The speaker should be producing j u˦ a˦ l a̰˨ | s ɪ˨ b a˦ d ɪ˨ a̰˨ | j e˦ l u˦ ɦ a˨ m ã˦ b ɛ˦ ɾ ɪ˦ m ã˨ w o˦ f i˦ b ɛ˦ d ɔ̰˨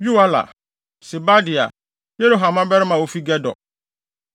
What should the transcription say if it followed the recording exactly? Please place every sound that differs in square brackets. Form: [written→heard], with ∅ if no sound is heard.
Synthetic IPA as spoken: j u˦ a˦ l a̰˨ | s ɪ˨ b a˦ d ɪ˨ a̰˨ | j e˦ [l→ɾ] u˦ ɦ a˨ m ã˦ b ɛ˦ ɾ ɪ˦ m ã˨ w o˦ f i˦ [b→ɡ] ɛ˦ d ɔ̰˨